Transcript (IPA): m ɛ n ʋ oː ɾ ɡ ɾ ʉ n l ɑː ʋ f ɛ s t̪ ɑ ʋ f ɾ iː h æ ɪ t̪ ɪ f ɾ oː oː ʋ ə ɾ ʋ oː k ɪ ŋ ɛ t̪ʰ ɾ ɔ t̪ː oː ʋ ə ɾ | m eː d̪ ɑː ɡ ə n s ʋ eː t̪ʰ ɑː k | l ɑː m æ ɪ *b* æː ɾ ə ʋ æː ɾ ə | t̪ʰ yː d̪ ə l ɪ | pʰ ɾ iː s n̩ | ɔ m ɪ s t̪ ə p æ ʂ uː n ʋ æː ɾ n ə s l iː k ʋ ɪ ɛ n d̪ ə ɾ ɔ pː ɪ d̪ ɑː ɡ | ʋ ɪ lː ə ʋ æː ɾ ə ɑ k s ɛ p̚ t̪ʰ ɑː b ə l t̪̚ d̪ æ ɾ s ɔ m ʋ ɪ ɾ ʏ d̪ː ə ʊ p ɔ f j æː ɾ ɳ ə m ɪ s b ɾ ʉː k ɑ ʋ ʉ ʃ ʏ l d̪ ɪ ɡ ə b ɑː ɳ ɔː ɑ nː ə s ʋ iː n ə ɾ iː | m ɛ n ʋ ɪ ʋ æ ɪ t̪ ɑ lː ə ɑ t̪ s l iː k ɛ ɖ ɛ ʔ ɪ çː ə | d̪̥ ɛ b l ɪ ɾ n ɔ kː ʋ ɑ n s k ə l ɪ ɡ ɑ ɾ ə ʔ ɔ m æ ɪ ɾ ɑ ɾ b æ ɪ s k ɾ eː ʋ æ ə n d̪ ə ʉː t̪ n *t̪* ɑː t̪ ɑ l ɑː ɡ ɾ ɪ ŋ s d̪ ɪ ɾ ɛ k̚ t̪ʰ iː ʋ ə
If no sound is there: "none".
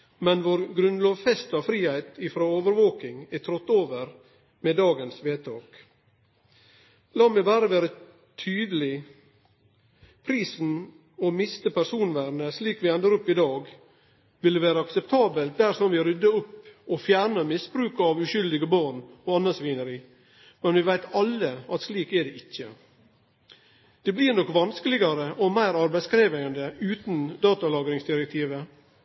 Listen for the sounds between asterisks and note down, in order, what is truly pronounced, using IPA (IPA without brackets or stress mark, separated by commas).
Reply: b, d̪